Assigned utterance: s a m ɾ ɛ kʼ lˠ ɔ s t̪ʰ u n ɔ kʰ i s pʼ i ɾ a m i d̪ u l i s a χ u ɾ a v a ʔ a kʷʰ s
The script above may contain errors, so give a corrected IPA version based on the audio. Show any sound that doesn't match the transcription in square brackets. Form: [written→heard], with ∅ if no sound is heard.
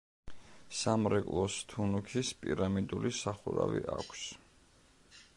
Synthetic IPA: s a m ɾ ɛ kʼ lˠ ɔ s t̪ʰ u n [ɔ→u] kʰ i s pʼ i ɾ a m i d̪ u l i s a χ u ɾ a v [a→i] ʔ a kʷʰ s